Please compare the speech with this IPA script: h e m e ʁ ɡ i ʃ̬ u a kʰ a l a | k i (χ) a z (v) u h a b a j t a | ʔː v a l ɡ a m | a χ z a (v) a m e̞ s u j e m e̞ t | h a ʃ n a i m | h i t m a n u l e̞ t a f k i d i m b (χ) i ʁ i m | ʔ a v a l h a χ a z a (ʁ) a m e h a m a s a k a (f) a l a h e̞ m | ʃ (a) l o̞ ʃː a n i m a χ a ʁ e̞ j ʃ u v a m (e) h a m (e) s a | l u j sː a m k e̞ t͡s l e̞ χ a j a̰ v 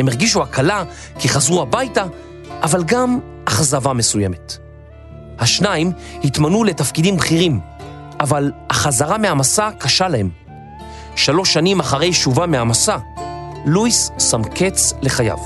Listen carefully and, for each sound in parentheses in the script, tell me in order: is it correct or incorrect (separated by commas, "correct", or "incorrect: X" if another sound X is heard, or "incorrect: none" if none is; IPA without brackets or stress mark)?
correct, incorrect: ʁ, correct, correct, correct, incorrect: ʃ, correct, correct, incorrect: a